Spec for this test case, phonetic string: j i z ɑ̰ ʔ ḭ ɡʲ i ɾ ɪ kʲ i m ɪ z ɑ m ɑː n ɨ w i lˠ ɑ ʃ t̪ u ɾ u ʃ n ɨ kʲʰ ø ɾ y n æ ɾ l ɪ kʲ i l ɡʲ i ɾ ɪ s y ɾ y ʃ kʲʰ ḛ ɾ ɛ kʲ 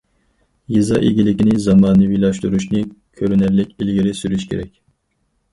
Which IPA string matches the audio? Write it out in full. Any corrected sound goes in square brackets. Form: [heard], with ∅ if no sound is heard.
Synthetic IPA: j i z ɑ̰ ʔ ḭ ɡʲ i [l] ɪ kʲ i [n] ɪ z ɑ m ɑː n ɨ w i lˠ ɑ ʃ t̪ u ɾ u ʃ n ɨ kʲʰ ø ɾ y n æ ɾ l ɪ kʲ i l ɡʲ i ɾ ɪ s y ɾ y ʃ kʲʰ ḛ ɾ ɛ kʲ

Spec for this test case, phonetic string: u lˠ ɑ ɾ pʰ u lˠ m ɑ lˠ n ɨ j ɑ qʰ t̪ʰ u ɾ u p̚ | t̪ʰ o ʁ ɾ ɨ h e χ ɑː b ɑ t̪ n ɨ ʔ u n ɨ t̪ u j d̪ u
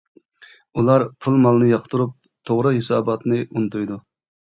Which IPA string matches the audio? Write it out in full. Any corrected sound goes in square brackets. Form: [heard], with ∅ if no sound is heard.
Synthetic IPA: u lˠ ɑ ɾ pʰ u lˠ m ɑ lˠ n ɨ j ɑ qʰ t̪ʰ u ɾ u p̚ | t̪ʰ o ʁ ɾ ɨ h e [s] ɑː b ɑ t̪ n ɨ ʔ u n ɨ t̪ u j d̪ u

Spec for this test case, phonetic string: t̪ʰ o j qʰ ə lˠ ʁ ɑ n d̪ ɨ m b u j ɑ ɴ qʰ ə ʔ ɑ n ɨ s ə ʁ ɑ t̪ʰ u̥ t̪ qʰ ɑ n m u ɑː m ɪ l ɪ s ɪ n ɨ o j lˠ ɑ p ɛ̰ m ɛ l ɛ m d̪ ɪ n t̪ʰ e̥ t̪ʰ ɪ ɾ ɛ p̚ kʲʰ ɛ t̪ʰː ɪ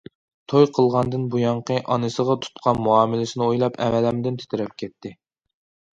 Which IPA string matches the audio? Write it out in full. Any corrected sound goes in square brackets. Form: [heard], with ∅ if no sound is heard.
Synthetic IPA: t̪ʰ o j qʰ ə lˠ ʁ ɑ n d̪ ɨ [n] b u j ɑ ɴ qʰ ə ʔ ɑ n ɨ s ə ʁ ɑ t̪ʰ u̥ t̪ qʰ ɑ n m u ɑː m ɪ l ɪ s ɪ n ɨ o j lˠ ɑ p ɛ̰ m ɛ l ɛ m d̪ ɪ n t̪ʰ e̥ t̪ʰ ɪ ɾ ɛ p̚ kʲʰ ɛ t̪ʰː ɪ

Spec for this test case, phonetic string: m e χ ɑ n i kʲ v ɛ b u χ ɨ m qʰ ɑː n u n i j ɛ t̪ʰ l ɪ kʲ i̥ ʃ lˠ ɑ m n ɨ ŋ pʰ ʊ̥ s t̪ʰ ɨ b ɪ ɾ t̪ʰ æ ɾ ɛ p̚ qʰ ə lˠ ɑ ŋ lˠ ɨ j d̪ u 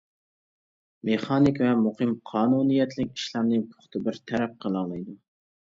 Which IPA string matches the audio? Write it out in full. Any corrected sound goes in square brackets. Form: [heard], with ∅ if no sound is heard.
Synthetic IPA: m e χ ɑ n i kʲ v ɛ [m] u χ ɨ m qʰ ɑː n u n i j ɛ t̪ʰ l ɪ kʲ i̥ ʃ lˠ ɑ m n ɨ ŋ pʰ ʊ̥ [χ] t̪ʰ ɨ b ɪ ɾ t̪ʰ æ ɾ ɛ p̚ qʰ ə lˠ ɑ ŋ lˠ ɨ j d̪ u

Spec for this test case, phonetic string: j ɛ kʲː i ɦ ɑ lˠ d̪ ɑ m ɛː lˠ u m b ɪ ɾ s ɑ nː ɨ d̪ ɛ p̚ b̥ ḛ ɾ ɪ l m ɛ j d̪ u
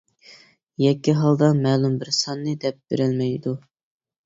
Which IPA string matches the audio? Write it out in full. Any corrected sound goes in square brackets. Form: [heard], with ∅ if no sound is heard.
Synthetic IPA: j ɛ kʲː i ɦ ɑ lˠ d̪ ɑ m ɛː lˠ u m b ɪ ɾ s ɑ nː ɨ d̪ ɛ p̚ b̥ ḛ ɾ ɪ l m ɛ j d̪ u

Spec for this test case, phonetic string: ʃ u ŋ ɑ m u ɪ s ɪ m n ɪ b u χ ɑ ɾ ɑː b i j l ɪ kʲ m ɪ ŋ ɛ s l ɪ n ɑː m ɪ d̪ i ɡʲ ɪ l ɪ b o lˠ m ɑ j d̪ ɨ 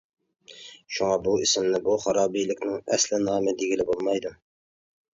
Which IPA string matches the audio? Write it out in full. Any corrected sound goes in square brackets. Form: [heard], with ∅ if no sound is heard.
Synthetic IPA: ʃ u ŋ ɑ [b] u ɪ s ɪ m n ɪ b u χ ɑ ɾ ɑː b i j l ɪ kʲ [n] ɪ ŋ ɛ s l ɪ n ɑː m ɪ d̪ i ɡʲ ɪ l ɪ b o lˠ m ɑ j d̪ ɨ

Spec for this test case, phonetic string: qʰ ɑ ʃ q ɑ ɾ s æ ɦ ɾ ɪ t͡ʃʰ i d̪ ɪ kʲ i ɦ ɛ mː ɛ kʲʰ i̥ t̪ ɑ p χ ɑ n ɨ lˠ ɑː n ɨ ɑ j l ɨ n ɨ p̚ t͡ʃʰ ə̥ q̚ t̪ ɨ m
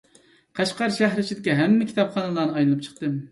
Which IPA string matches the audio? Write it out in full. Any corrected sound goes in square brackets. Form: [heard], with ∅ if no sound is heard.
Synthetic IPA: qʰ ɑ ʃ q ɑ ɾ [ʃ] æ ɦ ɾ ɪ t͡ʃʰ i d̪ ɪ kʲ i ɦ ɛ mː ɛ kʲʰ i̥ t̪ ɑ p χ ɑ n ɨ lˠ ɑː n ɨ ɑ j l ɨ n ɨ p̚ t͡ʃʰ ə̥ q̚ t̪ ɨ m

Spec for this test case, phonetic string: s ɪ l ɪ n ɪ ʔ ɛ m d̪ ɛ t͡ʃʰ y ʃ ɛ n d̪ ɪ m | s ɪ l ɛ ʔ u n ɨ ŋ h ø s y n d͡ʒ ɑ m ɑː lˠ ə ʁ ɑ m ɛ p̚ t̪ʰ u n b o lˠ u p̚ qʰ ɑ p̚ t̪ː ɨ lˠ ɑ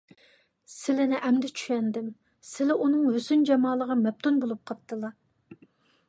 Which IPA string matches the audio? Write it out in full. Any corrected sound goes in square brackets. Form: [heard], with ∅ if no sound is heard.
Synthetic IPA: s ɪ l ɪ n ɪ ʔ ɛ m d̪ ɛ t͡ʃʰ y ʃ ɛ n d̪ ɪ m | s ɪ l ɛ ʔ u n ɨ ŋ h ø s y n d͡ʒ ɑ m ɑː lˠ ə ʁ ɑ m ɛ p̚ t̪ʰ u n b o lˠ u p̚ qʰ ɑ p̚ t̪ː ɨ lˠ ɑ

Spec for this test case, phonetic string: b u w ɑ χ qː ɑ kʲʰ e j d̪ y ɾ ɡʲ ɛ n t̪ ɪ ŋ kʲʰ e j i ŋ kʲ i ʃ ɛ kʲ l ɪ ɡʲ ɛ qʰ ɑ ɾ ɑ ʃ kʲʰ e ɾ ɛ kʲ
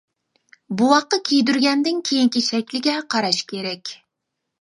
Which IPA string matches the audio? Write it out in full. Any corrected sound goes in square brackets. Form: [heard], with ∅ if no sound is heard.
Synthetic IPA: b u w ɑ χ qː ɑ kʲʰ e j d̪ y ɾ ɡʲ ɛ n [d̪] ɪ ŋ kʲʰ e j i ŋ kʲ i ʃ ɛ kʲ l ɪ ɡʲ ɛ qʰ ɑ ɾ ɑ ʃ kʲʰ e ɾ ɛ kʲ

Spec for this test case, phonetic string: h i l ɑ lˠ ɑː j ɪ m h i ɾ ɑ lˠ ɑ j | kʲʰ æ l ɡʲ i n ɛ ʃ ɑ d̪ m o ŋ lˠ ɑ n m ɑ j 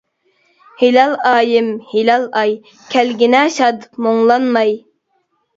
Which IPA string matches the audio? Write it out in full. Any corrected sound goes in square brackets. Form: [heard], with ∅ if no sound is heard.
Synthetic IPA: h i l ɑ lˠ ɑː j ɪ m h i [l] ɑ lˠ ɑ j | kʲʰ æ l ɡʲ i n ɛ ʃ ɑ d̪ m o ŋ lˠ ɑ n m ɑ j

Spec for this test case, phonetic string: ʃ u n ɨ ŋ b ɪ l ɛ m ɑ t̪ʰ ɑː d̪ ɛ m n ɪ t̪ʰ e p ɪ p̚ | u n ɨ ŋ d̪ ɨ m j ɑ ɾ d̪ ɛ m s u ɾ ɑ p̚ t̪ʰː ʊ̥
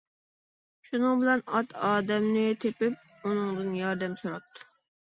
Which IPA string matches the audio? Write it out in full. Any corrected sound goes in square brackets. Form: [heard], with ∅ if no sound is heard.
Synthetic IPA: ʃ u n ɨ ŋ b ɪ l ɛ [n] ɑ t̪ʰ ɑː d̪ ɛ m n ɪ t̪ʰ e p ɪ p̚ | u n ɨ ŋ d̪ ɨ [n] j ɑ ɾ d̪ ɛ m s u ɾ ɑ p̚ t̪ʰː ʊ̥

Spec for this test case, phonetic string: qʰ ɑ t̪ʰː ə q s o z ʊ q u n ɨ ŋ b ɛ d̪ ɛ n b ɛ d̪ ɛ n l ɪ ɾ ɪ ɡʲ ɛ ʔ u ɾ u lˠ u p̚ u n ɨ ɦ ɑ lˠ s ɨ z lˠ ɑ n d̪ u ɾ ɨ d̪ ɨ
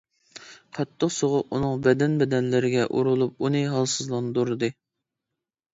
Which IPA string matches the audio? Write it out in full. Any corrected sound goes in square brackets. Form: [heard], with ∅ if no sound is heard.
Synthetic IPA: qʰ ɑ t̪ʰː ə q s o [ʁ] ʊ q u n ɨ ŋ b ɛ d̪ ɛ n b ɛ d̪ ɛ n l ɪ ɾ ɪ ɡʲ ɛ ʔ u ɾ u lˠ u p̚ u n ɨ ɦ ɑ lˠ s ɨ z lˠ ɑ n d̪ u ɾ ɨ d̪ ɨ

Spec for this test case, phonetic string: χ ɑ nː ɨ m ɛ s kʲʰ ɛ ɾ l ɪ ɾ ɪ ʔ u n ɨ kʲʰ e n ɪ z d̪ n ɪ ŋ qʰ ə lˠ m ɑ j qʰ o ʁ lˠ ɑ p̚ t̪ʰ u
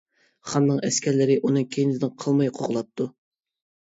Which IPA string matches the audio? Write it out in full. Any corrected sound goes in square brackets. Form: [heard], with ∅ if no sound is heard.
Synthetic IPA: χ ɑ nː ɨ [ŋ] ɛ s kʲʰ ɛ ɾ l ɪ ɾ ɪ ʔ u n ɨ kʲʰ e n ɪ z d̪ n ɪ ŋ qʰ ə lˠ m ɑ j qʰ o ʁ lˠ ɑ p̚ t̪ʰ u

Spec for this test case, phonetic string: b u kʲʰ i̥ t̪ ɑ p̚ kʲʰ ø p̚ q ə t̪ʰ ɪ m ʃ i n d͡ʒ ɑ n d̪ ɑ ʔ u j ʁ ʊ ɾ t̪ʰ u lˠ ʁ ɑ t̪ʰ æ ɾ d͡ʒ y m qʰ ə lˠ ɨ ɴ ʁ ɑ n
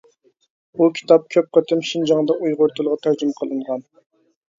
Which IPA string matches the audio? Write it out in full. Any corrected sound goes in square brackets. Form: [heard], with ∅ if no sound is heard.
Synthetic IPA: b u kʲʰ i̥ t̪ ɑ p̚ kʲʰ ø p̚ q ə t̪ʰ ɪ m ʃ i n d͡ʒ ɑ [ŋ] d̪ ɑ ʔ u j ʁ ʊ ɾ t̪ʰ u lˠ ʁ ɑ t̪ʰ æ ɾ d͡ʒ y m qʰ ə lˠ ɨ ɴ ʁ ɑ n

